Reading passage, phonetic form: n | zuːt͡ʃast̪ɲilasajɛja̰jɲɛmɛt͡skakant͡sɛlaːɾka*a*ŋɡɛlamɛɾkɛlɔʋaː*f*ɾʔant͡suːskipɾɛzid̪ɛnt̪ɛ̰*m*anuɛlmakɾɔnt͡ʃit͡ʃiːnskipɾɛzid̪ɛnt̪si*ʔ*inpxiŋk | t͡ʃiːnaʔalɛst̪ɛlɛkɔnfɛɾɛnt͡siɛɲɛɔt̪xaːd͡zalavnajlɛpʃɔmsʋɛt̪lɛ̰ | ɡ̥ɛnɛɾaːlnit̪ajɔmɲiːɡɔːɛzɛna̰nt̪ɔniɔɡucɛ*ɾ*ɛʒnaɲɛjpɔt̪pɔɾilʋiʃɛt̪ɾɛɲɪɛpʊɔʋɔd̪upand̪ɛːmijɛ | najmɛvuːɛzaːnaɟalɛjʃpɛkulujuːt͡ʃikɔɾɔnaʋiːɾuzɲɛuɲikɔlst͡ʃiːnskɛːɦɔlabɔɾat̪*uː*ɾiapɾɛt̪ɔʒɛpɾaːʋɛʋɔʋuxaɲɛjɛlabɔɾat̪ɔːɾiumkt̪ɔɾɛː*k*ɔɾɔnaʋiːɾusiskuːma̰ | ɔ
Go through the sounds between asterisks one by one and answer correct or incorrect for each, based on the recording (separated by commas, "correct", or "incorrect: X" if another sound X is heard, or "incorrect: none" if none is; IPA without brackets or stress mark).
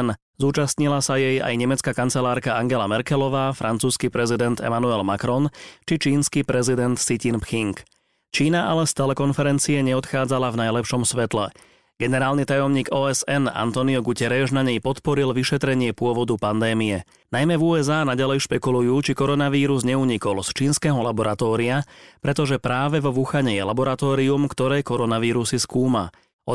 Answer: correct, correct, correct, incorrect: c, correct, incorrect: ɔː, correct